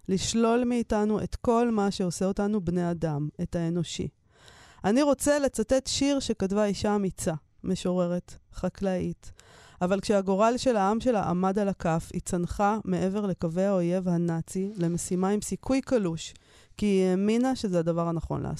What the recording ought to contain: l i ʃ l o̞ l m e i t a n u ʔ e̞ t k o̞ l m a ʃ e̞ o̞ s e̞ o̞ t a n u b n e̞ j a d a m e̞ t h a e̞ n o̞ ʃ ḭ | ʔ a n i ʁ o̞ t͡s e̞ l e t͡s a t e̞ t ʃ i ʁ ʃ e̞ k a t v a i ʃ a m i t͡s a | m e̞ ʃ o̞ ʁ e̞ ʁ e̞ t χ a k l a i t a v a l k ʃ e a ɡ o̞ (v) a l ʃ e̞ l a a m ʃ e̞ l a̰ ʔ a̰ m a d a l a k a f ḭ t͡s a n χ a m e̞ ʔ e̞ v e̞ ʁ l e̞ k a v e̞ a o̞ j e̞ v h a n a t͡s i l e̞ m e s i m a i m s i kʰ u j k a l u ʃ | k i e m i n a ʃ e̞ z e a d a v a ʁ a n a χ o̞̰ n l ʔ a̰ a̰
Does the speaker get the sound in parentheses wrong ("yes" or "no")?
yes